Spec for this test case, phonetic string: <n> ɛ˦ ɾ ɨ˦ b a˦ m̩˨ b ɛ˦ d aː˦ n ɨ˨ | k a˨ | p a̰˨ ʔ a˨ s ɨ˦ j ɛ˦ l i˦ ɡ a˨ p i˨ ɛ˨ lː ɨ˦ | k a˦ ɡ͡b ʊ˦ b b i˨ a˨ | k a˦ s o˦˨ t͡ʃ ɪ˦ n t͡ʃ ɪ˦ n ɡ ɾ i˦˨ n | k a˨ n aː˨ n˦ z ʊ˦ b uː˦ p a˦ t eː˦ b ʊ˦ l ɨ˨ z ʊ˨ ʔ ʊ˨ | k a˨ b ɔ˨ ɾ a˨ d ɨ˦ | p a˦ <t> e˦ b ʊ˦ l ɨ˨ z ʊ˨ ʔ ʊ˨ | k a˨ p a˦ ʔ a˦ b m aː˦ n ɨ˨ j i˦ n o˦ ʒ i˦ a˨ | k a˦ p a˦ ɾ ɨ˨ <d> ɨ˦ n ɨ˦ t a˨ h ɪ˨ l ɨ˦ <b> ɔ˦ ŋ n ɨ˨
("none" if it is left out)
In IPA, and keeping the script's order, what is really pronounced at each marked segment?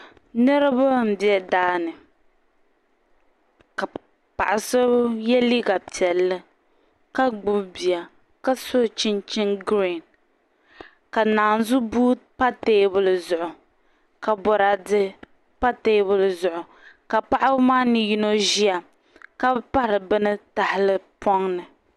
n, t, b, p

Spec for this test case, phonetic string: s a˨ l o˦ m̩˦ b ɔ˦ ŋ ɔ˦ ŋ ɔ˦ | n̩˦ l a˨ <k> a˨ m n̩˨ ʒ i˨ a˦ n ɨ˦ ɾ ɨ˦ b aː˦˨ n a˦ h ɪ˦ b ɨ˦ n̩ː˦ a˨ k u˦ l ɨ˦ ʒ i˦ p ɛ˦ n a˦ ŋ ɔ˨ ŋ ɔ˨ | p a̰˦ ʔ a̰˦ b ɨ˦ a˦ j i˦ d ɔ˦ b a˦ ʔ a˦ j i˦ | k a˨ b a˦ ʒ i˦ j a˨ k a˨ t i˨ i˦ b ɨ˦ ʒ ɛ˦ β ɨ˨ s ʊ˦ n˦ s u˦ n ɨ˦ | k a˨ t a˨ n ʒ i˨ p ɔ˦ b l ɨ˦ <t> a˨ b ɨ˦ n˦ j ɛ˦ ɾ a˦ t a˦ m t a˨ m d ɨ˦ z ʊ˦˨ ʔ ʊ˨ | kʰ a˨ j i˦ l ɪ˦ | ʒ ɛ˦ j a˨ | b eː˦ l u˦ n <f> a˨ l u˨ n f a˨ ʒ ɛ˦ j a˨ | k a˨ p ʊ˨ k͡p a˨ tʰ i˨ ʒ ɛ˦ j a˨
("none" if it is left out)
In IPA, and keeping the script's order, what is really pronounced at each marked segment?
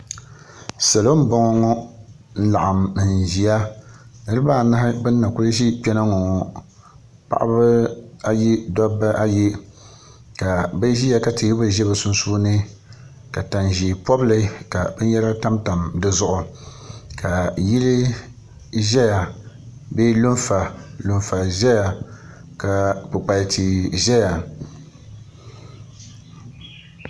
ʔ, k, f

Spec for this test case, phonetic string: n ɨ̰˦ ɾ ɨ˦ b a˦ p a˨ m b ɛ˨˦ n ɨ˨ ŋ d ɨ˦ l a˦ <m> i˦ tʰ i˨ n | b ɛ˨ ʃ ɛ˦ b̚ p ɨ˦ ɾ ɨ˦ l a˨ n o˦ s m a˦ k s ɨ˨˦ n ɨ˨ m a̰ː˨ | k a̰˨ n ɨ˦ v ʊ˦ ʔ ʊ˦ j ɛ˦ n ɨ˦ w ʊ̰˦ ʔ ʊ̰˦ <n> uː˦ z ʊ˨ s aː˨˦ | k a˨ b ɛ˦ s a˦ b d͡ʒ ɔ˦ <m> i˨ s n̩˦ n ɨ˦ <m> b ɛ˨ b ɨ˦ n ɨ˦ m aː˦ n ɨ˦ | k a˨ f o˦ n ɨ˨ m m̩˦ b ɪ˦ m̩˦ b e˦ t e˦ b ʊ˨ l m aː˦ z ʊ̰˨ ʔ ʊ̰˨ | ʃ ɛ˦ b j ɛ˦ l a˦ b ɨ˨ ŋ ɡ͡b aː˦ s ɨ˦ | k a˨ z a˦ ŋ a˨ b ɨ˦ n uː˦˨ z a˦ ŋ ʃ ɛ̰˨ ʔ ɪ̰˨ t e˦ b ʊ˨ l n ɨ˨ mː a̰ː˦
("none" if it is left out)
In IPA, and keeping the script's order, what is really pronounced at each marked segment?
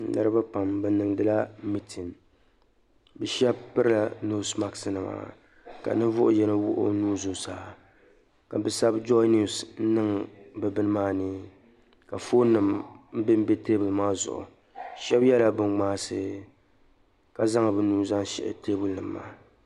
m, n, n, ŋ

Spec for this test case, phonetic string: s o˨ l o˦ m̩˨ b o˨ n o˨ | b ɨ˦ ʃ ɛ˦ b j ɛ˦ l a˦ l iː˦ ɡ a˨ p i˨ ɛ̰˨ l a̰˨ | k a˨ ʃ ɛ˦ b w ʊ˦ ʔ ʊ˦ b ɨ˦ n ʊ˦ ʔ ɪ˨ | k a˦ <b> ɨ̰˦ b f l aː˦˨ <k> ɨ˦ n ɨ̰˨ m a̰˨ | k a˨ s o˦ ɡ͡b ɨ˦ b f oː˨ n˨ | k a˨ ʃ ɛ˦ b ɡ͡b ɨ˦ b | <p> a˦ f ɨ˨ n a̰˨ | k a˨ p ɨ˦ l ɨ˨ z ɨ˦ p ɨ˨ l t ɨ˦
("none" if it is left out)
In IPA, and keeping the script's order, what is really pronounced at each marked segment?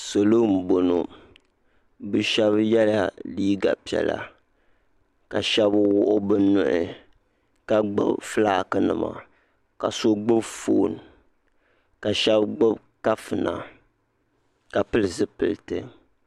ɡ͡b, k, k

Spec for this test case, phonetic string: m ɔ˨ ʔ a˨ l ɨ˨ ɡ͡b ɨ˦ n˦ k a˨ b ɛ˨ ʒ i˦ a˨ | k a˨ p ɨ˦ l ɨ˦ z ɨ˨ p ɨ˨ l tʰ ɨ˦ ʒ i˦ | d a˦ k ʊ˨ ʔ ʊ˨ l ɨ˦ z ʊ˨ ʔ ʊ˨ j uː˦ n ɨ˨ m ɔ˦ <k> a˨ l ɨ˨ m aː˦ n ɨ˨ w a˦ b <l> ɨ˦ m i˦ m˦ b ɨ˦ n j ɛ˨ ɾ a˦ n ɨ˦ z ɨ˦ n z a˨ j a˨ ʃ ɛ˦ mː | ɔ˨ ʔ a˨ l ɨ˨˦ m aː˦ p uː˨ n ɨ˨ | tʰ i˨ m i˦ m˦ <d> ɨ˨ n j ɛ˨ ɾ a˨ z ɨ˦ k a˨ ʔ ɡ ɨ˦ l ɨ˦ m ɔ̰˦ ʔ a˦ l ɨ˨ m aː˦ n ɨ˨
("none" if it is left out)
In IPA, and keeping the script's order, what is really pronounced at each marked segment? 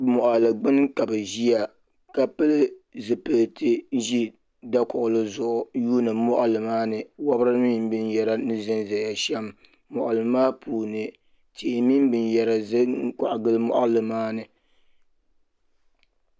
ʔ, ɾ, b

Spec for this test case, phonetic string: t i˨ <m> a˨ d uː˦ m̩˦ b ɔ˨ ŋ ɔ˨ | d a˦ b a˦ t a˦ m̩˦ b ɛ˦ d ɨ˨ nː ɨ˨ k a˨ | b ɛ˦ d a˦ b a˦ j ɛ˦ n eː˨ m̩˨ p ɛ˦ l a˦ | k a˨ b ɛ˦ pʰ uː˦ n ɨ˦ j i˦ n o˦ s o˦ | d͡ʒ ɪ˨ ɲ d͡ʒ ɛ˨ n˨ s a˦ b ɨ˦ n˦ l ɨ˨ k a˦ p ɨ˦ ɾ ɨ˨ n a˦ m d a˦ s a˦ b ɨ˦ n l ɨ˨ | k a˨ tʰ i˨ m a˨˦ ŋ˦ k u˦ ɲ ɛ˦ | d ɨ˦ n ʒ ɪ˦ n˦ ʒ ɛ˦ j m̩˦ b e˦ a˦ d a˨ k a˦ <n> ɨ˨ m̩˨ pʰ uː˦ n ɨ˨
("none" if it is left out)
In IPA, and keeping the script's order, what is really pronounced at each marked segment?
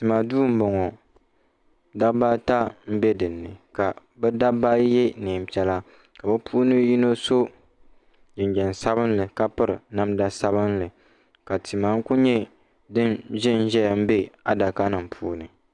m, n

